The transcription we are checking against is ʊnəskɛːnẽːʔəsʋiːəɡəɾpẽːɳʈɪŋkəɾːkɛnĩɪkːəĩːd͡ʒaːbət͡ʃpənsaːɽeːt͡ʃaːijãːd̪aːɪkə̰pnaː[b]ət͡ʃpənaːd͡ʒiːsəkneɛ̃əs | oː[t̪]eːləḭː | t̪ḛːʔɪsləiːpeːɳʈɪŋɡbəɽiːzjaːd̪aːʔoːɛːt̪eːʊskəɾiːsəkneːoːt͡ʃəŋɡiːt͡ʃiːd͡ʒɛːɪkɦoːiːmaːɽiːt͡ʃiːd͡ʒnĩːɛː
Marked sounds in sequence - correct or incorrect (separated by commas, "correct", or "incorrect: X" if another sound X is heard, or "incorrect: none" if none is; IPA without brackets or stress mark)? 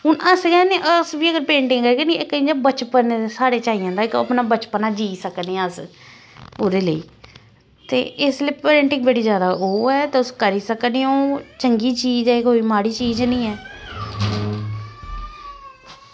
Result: correct, incorrect: d̪